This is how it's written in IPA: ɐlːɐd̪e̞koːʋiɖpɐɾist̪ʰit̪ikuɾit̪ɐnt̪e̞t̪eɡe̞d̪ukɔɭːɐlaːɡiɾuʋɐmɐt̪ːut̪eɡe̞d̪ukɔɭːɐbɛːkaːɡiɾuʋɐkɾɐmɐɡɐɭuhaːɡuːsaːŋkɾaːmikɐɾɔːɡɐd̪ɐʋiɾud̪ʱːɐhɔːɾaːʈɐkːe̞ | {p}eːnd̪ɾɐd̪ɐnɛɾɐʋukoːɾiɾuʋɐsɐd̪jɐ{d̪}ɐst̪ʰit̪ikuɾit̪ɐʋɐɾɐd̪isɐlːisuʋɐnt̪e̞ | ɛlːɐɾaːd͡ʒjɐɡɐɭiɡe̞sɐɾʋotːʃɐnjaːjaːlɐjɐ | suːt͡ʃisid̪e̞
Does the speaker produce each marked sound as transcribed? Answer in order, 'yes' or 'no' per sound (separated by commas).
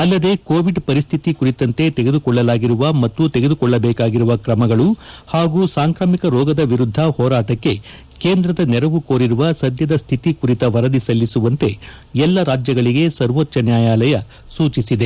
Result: no, yes